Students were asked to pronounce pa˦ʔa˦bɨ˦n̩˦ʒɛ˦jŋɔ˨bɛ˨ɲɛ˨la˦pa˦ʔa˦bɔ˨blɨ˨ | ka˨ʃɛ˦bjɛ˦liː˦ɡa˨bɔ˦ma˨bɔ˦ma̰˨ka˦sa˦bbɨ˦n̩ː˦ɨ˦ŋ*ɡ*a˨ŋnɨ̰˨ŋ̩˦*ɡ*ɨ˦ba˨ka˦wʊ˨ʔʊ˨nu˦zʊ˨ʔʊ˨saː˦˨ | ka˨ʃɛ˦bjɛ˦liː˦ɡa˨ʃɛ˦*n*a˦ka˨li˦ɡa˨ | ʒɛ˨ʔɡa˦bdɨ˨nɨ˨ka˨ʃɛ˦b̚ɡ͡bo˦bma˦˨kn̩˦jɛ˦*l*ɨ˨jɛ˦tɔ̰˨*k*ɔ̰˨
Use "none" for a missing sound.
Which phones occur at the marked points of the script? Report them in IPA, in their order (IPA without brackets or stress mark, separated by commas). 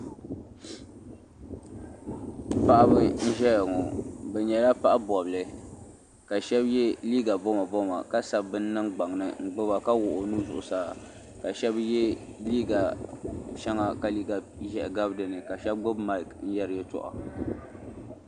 ɡ͡b, ɡ͡b, ŋ, ɾ, ʔ